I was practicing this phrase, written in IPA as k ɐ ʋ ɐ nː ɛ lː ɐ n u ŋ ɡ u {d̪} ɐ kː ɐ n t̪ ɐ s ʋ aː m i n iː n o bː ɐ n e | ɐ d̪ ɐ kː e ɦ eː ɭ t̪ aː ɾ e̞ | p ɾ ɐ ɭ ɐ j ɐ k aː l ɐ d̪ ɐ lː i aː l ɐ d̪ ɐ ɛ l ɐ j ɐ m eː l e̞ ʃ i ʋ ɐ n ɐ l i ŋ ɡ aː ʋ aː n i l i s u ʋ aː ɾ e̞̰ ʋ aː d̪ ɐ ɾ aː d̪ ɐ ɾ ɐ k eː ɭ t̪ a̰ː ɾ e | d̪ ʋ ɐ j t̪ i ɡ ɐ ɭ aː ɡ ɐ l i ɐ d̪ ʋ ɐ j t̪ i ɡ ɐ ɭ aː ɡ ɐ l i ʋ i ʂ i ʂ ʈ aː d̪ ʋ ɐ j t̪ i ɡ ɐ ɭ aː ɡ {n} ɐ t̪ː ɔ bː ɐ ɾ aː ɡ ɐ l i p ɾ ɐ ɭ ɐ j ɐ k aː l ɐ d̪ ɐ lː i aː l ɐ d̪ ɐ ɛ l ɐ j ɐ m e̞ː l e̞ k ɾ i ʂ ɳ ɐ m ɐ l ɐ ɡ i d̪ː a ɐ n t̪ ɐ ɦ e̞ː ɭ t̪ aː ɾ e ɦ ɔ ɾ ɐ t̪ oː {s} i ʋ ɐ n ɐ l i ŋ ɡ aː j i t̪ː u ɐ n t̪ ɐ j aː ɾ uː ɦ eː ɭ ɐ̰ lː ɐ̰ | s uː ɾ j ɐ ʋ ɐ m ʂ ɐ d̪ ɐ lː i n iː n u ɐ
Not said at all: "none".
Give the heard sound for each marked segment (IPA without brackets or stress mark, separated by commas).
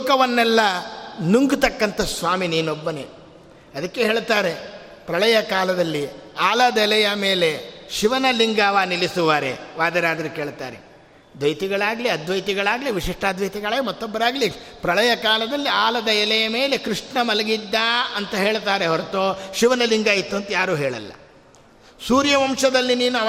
t̪, m, ʃ